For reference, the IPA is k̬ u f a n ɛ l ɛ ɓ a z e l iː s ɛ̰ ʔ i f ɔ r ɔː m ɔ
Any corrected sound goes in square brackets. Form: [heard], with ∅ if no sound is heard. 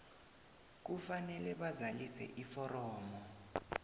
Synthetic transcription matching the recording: k̬ u f a n ɛ l ɛ ɓ a z [a] l [i] s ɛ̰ ʔ i f ɔ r ɔː m ɔ

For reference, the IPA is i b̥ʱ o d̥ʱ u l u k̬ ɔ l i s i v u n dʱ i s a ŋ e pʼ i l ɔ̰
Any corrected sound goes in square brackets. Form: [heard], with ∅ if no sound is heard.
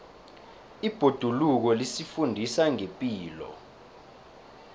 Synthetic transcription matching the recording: i b̥ʱ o d̥ʱ u l u k̬ ɔ l i s i [f] u n dʱ i s a ŋ e pʼ [iː] l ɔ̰

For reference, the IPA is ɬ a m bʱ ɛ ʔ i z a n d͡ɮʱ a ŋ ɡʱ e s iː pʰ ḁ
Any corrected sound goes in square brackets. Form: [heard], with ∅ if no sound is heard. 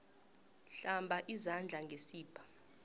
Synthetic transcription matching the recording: ɬ a m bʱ [a] ʔ i z a n d͡ɮʱ a ŋ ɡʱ e s iː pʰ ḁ

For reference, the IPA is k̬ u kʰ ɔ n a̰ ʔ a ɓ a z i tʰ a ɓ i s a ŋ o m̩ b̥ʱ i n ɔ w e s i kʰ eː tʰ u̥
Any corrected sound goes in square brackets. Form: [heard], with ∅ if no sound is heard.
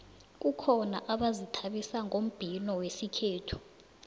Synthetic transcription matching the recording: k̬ u kʰ ɔ n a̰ ʔ a ɓ a z i tʰ a ɓ i s a ŋ o m̩ b̥ʱ i n ɔ w e s i kʰ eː tʰ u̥

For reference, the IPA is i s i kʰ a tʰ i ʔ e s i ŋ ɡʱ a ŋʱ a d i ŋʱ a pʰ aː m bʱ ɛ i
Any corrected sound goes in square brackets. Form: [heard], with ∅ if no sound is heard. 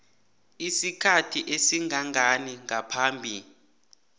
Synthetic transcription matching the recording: i s i kʰ a tʰ i ʔ e s i ŋ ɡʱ a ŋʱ a [n] i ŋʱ a pʰ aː m bʱ [i] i

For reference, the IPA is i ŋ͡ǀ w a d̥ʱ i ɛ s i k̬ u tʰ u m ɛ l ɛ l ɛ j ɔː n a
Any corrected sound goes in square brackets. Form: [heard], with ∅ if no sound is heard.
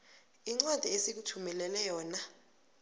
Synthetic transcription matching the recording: i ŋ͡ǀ w a d̥ʱ i [e] s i k̬ u tʰ u m ɛ l ɛ l ɛ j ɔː n a

